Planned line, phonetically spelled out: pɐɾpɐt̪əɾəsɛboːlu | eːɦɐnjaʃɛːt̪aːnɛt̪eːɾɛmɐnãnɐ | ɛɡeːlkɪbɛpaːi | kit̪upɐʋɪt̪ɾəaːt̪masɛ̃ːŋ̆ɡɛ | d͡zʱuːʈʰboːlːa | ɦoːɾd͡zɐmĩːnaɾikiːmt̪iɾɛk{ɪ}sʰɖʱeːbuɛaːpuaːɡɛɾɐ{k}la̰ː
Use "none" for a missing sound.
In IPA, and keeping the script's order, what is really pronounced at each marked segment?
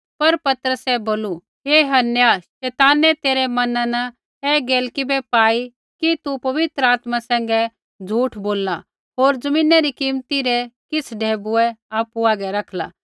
ɪ, kʰ

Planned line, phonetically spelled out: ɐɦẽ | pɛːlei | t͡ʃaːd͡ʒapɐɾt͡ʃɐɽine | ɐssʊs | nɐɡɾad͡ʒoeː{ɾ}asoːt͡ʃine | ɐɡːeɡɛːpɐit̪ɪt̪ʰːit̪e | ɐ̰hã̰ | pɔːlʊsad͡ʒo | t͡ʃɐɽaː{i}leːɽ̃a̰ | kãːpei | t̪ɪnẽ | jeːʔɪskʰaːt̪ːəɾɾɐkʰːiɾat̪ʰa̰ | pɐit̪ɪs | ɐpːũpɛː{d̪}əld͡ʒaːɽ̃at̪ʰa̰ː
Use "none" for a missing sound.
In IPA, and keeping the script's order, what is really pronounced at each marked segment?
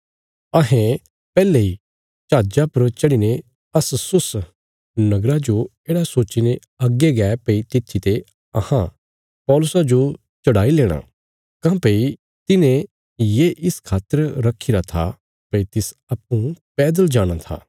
ɽ, i, d̪

